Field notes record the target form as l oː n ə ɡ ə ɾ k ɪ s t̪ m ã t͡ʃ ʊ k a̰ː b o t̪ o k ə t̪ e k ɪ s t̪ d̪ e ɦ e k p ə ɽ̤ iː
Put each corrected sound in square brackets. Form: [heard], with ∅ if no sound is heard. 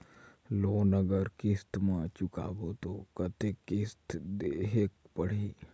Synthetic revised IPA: l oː n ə ɡ ə ɾ k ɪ s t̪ m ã t͡ʃ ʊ k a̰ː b o t̪ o k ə t̪ e k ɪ s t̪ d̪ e ɦ e k p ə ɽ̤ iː